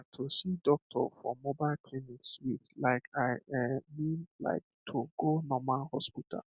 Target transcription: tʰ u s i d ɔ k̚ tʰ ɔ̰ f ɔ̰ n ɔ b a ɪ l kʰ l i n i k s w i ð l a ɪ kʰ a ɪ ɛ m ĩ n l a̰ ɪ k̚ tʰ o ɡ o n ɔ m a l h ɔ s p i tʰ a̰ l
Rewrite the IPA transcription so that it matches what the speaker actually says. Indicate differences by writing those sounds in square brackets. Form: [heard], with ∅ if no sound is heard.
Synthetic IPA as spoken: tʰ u s i d ɔ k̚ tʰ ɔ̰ f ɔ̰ [m] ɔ b a ɪ l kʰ l i n i k s w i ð l a ɪ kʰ a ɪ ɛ m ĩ n l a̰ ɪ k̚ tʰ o ɡ o n ɔ m a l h ɔ s p i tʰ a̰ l